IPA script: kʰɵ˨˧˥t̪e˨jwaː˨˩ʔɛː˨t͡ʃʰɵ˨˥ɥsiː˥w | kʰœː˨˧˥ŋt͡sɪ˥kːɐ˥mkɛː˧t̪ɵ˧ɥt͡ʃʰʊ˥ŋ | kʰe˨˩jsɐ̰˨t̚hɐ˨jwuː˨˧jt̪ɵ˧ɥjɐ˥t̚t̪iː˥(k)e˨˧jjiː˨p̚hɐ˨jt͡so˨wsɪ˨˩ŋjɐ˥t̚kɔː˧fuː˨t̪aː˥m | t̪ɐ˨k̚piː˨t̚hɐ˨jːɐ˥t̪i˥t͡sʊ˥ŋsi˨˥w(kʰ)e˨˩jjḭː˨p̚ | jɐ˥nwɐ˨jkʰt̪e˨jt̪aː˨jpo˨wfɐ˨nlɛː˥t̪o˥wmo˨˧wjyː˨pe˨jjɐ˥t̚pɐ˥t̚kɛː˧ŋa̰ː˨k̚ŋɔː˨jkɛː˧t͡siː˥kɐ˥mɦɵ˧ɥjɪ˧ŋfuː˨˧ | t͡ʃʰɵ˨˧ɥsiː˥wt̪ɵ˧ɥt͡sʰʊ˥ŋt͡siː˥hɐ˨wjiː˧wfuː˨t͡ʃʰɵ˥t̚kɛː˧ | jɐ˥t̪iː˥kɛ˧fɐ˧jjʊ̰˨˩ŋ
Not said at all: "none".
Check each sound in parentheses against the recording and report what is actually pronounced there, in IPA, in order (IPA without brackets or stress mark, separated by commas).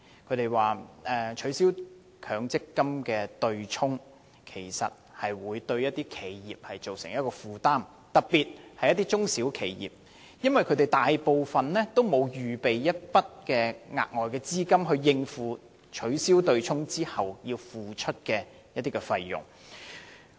kʰ, kʰ